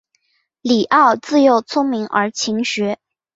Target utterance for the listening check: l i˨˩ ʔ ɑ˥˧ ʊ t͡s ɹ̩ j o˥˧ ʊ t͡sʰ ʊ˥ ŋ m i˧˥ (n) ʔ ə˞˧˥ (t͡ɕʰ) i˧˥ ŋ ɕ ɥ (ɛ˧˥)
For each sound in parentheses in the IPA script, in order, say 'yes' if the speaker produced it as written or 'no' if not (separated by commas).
no, yes, yes